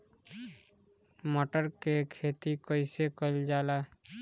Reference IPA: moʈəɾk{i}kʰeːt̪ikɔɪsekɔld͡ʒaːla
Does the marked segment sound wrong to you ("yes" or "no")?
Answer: yes